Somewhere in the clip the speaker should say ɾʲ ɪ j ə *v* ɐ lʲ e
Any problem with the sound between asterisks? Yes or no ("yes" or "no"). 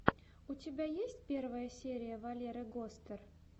no